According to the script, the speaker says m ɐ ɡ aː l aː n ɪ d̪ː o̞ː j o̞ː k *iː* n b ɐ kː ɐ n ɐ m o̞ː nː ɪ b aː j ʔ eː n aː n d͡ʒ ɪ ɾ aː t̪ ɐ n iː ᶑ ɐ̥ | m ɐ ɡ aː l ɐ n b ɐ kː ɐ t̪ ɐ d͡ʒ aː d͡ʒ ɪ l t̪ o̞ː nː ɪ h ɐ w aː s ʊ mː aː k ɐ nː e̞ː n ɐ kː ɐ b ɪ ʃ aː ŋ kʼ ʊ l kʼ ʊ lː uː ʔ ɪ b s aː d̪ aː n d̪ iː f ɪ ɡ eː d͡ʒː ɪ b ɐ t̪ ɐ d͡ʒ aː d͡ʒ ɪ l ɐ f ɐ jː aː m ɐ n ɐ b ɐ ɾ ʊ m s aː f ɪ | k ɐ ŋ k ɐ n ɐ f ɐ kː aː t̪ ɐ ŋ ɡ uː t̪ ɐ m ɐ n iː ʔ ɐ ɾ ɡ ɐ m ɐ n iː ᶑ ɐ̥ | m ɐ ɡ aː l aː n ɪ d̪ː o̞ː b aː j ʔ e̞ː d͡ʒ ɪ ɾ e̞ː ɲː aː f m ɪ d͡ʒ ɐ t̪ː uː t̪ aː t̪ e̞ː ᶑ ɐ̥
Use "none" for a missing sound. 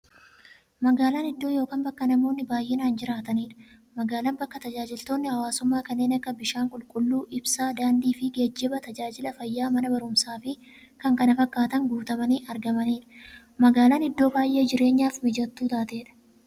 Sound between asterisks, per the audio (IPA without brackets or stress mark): aː